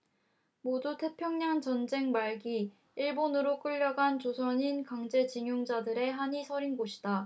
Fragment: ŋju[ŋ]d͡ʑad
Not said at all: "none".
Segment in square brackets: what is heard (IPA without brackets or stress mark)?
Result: ŋ